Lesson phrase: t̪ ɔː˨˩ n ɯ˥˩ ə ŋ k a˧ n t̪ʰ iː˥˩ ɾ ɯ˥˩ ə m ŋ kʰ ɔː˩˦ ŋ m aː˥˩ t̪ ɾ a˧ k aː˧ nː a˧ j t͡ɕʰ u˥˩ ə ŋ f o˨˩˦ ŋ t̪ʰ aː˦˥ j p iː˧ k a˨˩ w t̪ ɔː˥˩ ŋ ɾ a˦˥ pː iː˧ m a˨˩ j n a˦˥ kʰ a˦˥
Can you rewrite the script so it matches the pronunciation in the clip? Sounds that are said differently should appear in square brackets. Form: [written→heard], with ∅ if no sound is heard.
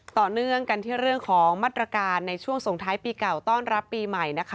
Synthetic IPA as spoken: t̪ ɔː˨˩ n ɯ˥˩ ə ŋ k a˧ n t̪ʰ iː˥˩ ɾ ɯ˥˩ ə [m→∅] ŋ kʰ ɔː˩˦ ŋ m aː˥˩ t̪ ɾ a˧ k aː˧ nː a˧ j t͡ɕʰ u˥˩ ə ŋ [f→s] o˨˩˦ ŋ t̪ʰ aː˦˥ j p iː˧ k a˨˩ w t̪ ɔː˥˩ [ŋ→n] ɾ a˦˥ pː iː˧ m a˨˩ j n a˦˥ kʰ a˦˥